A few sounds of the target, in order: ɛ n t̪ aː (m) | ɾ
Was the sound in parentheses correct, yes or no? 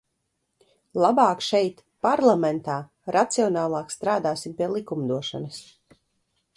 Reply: no